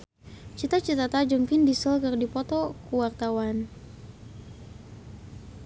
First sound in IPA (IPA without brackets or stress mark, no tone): t͡ʃ